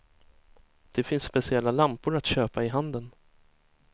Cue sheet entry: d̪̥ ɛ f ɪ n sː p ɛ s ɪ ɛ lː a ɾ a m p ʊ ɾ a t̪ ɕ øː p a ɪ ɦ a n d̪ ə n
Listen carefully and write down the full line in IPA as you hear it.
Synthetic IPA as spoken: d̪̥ ɛ f ɪ n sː p ɛ s ɪ ɛ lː a l a m p ʊ ɾ a t̪ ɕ øː p a ɪ ɦ a n d̪ ə n